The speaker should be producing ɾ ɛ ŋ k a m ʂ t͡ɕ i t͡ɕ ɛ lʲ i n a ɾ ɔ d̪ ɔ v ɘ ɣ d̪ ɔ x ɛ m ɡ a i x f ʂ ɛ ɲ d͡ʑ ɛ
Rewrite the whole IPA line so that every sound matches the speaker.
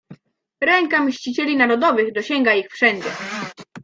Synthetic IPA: ɾ ɛ ŋ k a m ɕ t͡ɕ i t͡ɕ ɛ lʲ i n a ɾ ɔ d̪ ɔ v ɘ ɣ d̪ ɔ ɕ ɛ ŋ ɡ a i x f ʂ ɛ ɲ d͡ʑ ɛ

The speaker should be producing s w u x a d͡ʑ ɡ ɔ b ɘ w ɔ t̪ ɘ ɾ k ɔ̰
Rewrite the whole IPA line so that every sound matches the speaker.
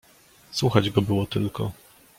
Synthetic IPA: s w u x a d͡ʑ ɡ ɔ b ɘ w ɔ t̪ ɘ l k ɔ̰

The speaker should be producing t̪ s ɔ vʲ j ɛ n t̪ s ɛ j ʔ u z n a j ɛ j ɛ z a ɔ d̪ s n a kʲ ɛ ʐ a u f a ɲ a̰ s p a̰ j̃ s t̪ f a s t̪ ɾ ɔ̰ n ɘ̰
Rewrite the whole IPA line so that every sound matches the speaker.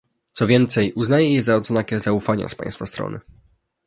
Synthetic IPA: t̪ s ɔ vʲ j ɛ n t̪ s ɛ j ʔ u z n a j ɛ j ɛ z a ɔ d̪ z n a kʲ ɛ z a u f a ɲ a̰ s p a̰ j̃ s t̪ f a s t̪ ɾ ɔ̰ n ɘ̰

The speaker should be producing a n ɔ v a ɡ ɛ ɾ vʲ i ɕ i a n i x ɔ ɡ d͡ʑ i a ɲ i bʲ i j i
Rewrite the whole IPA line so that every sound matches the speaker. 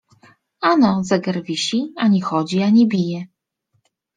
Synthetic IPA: a n ɔ z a ɡ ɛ ɾ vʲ i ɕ i a ɲ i x ɔ d͡ʑ i a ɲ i bʲ i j ɛ

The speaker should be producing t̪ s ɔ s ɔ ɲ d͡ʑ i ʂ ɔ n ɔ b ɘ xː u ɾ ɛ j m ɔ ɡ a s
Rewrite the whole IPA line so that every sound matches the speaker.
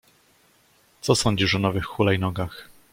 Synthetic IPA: t̪ s ɔ s ɔ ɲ d͡ʑ i ʂ ɔ n ɔ v ɘ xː u l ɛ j n ɔ ɡ a x

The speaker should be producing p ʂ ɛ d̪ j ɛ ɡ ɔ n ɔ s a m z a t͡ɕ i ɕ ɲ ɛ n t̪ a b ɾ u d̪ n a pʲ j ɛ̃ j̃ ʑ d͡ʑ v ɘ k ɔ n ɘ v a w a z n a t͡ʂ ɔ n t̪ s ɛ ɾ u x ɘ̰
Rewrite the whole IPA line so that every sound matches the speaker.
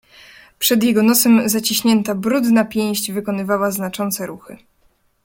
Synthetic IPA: p ʂ ɛ d̪ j ɛ ɡ ɔ n ɔ s ɛ m z a t͡ɕ i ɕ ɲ ɛ n t̪ a b ɾ u d̪ n a pʲ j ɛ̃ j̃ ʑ d͡ʑ v ɘ k ɔ n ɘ v a w a z n a t͡ʂ ɔ n t̪ s ɛ ɾ u x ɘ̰

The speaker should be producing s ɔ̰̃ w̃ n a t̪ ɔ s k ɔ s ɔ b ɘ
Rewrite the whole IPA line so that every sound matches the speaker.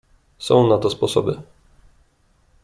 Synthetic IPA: s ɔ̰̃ w̃ n a t̪ ɔ s p ɔ s ɔ b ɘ

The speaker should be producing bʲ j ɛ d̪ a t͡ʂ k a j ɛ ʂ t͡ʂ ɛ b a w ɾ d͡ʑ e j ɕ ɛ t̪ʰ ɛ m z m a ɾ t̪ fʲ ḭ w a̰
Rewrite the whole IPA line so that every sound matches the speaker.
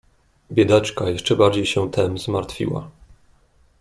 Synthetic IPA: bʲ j ɛ d̪ a t͡ʂ k a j ɛ ʂ t͡ʂ ɛ b a ɾ d͡ʑ e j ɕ ɛ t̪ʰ ɛ m z m a ɾ t̪ fʲ ḭ w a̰

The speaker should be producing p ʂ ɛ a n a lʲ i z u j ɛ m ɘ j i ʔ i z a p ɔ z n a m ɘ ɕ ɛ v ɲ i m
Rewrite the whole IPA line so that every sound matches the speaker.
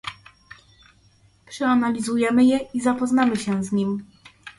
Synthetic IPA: p ʂ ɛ a n a lʲ i z u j ɛ m ɘ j ɛ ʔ i z a p ɔ z n a m ɘ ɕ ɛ z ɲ i m

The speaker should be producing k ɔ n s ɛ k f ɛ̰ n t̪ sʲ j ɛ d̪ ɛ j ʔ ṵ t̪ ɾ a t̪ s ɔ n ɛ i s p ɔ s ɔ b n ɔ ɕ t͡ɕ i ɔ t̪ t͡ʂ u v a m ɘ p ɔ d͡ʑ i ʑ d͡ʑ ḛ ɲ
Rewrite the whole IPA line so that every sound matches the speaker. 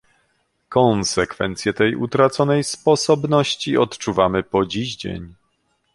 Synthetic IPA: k ɔ n s ɛ k f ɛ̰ n t̪ sʲ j ɛ t̪ ɛ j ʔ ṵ t̪ ɾ a t̪ s ɔ n ɛ j s p ɔ s ɔ b n ɔ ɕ t͡ɕ i ɔ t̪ t͡ʂ u v a m ɘ p ɔ d͡ʑ i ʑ d͡ʑ ḛ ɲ

